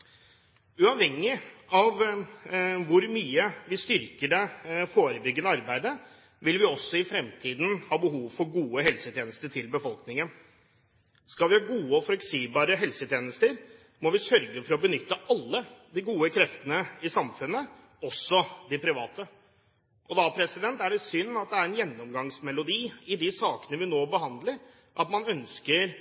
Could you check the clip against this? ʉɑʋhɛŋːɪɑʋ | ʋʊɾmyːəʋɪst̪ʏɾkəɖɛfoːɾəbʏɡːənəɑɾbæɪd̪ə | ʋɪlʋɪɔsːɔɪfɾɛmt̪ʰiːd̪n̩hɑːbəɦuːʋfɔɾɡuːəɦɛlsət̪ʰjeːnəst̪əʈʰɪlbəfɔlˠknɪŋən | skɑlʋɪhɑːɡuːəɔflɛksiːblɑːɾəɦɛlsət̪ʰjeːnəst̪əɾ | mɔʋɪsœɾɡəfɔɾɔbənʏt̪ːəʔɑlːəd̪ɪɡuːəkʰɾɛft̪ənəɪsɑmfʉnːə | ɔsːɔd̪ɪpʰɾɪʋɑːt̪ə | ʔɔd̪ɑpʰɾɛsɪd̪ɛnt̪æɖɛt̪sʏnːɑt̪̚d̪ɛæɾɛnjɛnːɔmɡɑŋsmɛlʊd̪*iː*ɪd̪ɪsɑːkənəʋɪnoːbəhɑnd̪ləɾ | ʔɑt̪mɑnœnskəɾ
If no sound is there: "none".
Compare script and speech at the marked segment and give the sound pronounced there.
iː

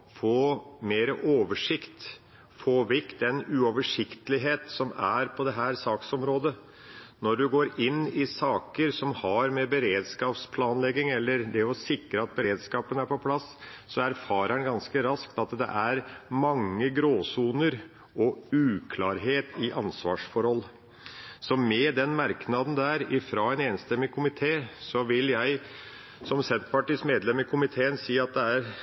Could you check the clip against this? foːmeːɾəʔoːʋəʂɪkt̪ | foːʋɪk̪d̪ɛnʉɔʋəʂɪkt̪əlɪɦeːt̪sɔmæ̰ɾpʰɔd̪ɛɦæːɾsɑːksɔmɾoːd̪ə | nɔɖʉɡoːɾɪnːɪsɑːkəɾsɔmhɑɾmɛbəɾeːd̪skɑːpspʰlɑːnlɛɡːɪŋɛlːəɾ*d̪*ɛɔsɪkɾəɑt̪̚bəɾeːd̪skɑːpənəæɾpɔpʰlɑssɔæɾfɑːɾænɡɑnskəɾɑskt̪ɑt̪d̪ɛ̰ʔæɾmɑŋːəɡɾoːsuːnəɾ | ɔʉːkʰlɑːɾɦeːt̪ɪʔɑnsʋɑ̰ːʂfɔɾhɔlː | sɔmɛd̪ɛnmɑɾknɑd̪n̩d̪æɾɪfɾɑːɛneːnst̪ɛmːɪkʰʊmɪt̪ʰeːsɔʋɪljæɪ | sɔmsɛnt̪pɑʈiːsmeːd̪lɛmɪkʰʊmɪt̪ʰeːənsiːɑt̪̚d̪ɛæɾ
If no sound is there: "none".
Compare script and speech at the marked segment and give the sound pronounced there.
d̪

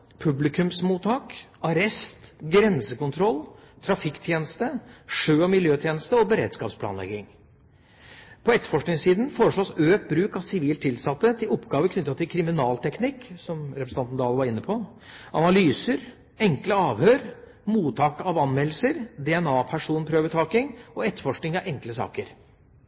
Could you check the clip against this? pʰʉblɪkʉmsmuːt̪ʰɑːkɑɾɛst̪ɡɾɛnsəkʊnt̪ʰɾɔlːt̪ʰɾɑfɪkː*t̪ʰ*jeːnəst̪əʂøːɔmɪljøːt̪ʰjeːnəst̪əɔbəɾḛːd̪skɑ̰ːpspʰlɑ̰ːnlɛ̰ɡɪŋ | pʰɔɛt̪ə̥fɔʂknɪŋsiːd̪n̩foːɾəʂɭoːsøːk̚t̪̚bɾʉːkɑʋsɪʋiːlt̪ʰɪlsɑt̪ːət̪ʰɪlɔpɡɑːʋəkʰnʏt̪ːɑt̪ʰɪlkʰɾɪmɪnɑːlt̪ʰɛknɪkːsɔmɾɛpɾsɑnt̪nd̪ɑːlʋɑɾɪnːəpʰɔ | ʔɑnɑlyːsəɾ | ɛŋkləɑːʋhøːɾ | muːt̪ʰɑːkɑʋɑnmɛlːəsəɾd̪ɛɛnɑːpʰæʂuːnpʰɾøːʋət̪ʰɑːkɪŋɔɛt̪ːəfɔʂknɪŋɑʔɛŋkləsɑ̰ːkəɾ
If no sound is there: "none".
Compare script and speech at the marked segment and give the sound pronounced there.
t̪ʰ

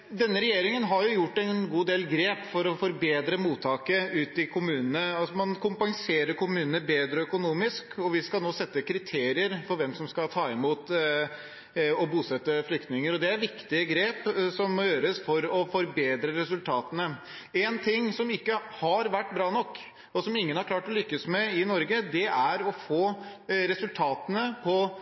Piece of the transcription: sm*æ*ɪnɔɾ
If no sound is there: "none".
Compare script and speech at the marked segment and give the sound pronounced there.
ɛ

